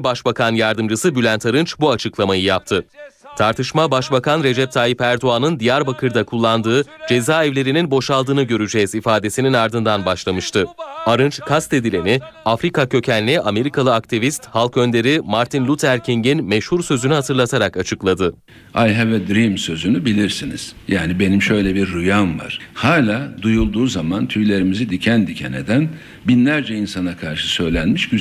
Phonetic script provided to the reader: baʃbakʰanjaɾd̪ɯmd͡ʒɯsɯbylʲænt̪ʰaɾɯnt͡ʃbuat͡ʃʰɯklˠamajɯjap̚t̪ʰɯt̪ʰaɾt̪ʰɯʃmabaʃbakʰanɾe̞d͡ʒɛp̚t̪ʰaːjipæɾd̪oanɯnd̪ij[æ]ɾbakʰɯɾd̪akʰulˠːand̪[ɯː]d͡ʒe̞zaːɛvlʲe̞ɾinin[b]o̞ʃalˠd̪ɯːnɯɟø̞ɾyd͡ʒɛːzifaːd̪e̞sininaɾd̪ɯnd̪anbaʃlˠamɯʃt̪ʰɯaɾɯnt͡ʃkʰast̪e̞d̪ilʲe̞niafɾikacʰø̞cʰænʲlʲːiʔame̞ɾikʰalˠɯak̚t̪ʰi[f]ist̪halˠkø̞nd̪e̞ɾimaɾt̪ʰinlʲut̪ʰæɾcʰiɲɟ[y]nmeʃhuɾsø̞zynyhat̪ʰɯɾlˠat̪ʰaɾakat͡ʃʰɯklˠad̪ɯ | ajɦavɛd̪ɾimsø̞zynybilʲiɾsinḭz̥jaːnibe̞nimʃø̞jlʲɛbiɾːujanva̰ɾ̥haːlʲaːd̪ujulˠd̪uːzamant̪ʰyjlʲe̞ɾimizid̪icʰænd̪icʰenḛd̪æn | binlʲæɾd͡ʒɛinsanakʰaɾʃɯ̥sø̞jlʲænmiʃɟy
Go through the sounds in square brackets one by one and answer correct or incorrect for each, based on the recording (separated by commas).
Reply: incorrect, correct, correct, incorrect, incorrect